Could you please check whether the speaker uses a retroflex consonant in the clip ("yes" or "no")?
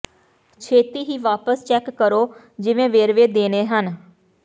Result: no